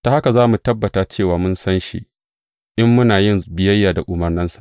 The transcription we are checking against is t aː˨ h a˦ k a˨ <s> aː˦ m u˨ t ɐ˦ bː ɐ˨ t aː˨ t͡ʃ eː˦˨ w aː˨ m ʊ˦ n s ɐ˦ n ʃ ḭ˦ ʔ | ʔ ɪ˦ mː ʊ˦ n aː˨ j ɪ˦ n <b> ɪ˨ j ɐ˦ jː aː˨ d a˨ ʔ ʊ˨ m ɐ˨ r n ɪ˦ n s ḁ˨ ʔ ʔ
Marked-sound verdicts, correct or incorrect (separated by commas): incorrect, correct